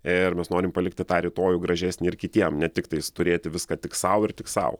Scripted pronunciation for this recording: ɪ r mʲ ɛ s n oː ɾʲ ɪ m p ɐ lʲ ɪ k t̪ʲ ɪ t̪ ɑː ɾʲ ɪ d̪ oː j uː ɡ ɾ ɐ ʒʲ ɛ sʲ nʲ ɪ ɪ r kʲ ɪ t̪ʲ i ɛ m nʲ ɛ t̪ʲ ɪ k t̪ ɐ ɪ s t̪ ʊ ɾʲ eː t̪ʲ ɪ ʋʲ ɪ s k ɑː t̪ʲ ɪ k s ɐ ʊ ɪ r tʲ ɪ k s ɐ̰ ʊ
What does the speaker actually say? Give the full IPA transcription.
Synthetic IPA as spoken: ɪ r mʲ ɛ s n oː ɾʲ ɪ m p ɐ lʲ ɪ k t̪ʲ ɪ t̪ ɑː ɾʲ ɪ t̪ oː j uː ɡ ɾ ɐ ʒʲ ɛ sʲ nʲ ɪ ɪ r kʲ ɪ t̪ʲ i ɛ m nʲ ɛ t̪ʲ ɪ k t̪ ɐ ɪ s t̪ ʊ ɾʲ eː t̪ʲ ɪ ʋʲ ɪ s k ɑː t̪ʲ ɪ k s ɐ ʊ ɪ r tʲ ɪ k s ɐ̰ ʊ